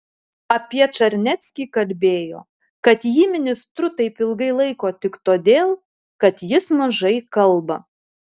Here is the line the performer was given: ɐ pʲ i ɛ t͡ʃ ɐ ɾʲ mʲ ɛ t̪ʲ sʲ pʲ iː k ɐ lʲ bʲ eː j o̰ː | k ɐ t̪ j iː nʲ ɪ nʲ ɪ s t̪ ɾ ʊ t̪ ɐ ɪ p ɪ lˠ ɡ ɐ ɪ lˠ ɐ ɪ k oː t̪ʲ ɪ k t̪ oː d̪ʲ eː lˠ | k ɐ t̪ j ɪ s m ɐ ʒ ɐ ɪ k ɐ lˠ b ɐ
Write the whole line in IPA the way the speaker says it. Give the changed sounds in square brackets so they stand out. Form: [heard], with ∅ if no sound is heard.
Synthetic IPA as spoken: ɐ pʲ i ɛ t͡ʃ ɐ ɾʲ [nʲ] ɛ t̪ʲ sʲ [kʲ] iː k ɐ lʲ bʲ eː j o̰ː | k ɐ t̪ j iː [mʲ] ɪ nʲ ɪ s t̪ ɾ ʊ t̪ ɐ ɪ p ɪ lˠ ɡ ɐ ɪ lˠ ɐ ɪ k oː t̪ʲ ɪ k t̪ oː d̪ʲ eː lˠ | k ɐ t̪ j ɪ s m ɐ ʒ ɐ ɪ k ɐ lˠ b ɐ